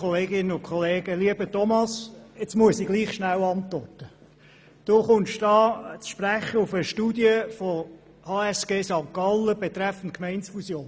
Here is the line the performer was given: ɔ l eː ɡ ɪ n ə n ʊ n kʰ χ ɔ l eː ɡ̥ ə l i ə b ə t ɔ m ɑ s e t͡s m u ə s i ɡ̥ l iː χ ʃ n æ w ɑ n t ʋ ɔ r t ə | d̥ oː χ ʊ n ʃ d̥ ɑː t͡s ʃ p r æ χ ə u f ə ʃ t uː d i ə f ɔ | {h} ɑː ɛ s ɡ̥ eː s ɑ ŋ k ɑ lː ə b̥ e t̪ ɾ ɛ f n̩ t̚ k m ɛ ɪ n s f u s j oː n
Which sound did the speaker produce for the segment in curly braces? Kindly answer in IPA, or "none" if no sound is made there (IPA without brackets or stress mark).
h